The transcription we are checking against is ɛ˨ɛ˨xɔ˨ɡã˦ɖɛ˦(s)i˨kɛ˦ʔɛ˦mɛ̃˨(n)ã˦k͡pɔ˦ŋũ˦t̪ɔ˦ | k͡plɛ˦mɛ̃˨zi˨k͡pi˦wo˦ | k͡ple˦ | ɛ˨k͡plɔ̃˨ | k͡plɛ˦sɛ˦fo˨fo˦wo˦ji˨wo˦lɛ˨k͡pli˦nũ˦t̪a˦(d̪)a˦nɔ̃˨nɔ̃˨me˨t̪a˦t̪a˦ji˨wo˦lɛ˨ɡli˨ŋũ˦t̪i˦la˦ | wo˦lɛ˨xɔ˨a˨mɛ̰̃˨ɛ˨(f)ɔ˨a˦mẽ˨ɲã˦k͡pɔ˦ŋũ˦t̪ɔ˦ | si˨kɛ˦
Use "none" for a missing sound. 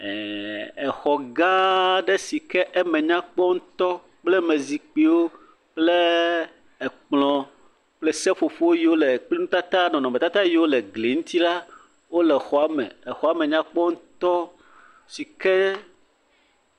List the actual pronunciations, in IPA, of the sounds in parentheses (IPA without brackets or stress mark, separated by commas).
s, ɲ, t̪, x